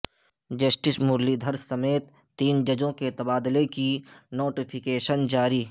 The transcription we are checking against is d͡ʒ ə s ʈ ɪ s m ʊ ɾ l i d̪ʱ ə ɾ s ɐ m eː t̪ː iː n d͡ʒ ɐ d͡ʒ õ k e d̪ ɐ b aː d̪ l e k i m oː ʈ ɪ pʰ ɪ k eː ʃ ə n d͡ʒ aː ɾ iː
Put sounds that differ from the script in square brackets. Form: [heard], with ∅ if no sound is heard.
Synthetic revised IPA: d͡ʒ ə s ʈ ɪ s m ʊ ɾ l i d̪ʱ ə ɾ s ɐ m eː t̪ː iː n d͡ʒ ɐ d͡ʒ õ k e [t̪] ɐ b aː d̪ l e k i [n] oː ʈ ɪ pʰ ɪ k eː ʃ ə n d͡ʒ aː ɾ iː